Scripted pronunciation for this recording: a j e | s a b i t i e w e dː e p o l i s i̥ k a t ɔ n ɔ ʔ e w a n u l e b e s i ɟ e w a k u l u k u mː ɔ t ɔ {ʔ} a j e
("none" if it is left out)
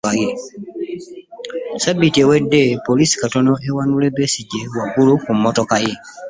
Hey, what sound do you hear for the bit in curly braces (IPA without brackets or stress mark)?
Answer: k